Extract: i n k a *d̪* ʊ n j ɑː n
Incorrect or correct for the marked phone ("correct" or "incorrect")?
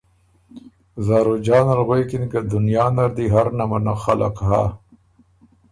correct